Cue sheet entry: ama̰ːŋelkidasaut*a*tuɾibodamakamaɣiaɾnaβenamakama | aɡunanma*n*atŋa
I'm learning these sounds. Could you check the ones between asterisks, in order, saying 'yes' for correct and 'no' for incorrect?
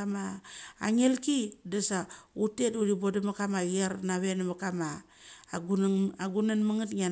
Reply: no, no

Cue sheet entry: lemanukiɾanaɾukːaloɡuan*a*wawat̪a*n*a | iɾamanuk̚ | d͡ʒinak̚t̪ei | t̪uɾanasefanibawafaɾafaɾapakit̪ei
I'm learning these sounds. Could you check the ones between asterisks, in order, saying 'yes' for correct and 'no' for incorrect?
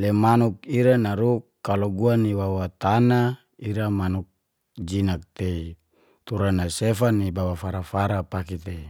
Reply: no, yes

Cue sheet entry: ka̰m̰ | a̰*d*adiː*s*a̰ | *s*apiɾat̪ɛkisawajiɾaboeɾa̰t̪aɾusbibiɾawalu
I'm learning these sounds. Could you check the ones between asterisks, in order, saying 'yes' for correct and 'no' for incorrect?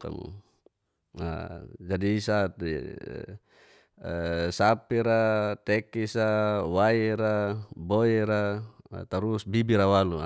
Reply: no, yes, yes

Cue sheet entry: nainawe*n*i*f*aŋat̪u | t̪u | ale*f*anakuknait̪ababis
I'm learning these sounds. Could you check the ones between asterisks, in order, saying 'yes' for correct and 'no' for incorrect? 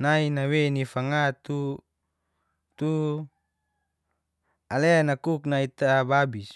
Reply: yes, yes, no

